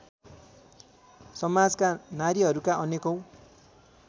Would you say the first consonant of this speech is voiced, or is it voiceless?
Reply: voiceless